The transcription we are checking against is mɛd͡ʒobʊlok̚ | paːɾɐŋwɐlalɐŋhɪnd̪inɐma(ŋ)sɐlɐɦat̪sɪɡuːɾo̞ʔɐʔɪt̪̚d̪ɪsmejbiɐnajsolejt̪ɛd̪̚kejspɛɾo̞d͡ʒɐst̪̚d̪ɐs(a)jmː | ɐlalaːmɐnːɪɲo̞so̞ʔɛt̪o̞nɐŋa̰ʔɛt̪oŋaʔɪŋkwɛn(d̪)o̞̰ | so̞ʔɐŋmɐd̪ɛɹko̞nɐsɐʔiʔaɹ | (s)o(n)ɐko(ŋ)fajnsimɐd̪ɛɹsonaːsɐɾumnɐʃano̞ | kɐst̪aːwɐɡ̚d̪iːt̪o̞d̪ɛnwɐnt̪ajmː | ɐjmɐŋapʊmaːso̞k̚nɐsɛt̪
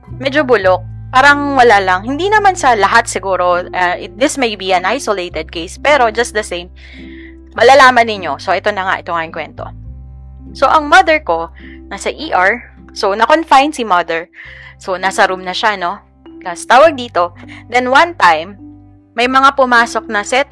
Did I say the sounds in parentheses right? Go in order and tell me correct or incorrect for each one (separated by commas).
incorrect, incorrect, incorrect, correct, correct, incorrect